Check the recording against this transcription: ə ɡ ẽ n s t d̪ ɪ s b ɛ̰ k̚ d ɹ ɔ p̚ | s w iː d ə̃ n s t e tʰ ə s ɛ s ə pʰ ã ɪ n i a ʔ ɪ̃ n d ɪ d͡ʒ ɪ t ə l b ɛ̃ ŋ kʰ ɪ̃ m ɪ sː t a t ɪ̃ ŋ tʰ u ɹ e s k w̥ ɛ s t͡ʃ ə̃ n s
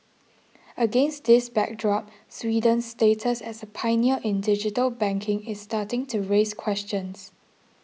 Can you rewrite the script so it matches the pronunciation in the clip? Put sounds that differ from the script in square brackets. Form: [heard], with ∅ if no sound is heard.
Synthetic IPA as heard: ə ɡ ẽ n s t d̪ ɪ s b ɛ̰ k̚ d ɹ ɔ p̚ | s w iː d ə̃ n s t e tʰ ə s ɛ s ə pʰ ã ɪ n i [ə] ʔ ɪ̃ n d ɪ d͡ʒ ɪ t ə l b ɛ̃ ŋ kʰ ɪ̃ [ŋ] ɪ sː t a t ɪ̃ ŋ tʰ u ɹ e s [kʰ] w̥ ɛ s t͡ʃ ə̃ n s

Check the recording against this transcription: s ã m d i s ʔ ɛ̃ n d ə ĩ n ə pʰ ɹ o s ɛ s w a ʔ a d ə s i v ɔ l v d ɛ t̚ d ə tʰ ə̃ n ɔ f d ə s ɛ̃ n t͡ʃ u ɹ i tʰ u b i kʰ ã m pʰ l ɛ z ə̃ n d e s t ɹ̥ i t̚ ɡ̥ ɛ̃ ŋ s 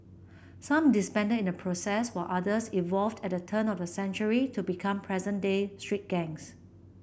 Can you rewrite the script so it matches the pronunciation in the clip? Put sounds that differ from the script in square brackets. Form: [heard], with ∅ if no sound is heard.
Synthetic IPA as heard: s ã m d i s [p] ɛ̃ n d ə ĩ n ə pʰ ɹ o s ɛ s w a ʔ a d ə s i v ɔ l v d ɛ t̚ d ə tʰ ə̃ n ɔ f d ə s ɛ̃ n t͡ʃ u ɹ i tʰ u b i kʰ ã m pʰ [ɹ] ɛ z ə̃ n d e s t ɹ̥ i t̚ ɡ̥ ɛ̃ ŋ s

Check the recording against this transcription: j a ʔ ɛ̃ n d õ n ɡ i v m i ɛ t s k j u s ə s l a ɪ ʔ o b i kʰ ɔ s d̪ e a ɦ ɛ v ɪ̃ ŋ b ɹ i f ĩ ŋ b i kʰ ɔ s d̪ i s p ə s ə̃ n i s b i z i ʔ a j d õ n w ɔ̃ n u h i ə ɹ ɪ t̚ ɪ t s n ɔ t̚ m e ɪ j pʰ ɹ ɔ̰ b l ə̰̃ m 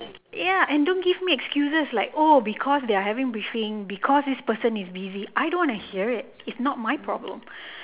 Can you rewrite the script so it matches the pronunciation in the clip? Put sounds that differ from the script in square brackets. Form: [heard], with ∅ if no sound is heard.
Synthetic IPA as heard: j a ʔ ɛ̃ n d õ n ɡ i v m i ɛ [k] s k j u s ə s l a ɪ [k] o b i kʰ ɔ s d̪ e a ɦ ɛ v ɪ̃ ŋ b ɹ i f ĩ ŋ b i kʰ ɔ s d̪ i s p ə s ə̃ n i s b i z i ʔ a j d õ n w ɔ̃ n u h i ə ɹ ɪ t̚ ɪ t s n ɔ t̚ m [a] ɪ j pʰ ɹ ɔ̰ b l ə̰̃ m

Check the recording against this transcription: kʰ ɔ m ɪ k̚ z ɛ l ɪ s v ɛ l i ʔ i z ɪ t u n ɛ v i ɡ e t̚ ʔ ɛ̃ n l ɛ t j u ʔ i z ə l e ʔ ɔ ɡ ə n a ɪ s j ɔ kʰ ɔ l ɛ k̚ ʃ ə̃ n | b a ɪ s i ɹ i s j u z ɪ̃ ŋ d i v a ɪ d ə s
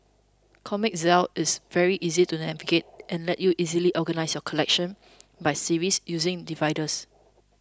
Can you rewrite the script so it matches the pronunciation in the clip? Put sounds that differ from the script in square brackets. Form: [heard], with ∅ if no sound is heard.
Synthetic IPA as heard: kʰ ɔ m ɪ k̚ z ɛ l ɪ s v ɛ [ɹ] i ʔ i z [i] t u n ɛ v i ɡ e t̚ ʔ ɛ̃ n l ɛ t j u ʔ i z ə l [i] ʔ ɔ ɡ ə n a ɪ s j ɔ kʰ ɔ l ɛ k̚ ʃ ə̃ n | b a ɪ s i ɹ i s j u z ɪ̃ ŋ d i v a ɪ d ə s

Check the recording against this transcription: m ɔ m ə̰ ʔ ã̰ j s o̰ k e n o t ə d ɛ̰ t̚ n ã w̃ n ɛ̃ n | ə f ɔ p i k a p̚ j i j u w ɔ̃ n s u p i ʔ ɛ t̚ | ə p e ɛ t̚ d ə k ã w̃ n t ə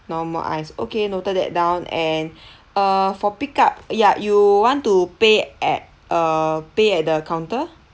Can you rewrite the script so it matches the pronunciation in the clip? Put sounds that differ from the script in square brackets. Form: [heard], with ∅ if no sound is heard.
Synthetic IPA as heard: [n] ɔ m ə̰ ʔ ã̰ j s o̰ k e n o t ə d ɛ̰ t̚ [d] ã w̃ n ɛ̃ n | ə f ɔ p i k a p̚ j [a] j u w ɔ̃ n [t] u p [e] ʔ ɛ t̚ | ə p e ɛ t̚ d ə k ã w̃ n t ə

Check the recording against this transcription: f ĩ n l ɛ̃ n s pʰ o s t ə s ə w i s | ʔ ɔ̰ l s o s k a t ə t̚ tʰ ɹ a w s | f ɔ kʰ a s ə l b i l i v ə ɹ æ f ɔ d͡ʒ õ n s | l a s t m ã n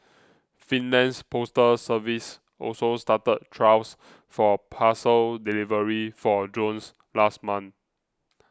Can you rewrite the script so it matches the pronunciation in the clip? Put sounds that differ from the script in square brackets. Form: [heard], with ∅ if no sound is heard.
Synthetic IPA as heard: f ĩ n l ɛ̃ n s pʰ o s t ə s ə [v] i s | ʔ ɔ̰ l s o s [t] a t ə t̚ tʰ ɹ a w s | f ɔ [pʰ] a s ə l [d] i l i v ə ɹ [i] f ɔ d͡ʒ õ n s | l a s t m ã n

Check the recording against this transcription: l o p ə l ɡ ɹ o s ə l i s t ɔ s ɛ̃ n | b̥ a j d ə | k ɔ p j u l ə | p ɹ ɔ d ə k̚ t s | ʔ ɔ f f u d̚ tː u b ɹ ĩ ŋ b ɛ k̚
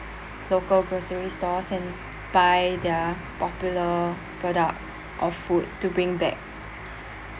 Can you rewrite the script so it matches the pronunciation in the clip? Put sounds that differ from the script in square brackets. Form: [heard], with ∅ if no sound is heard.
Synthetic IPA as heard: l o [k] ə l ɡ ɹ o s ə [ɹ] i s t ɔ s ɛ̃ n | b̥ a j d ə | [p] ɔ p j u l ə | p ɹ ɔ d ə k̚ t s | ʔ ɔ f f u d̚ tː u b ɹ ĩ ŋ b ɛ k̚

